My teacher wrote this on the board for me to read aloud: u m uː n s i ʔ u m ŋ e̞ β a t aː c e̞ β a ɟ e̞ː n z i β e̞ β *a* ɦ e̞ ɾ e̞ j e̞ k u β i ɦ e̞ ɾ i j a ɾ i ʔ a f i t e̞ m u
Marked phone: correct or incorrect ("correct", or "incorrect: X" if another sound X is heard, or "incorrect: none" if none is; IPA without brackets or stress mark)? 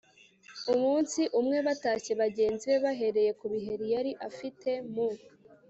correct